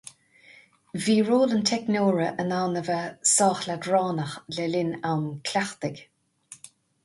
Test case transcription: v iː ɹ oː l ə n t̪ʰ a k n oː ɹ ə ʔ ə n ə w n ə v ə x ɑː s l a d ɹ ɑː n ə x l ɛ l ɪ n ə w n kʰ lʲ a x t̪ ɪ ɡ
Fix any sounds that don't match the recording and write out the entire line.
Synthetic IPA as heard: v iː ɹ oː l ə n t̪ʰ ɛ k n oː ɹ ə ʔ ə n a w n ə v ə s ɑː x l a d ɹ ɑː n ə x l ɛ l ɪ n a w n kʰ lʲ a x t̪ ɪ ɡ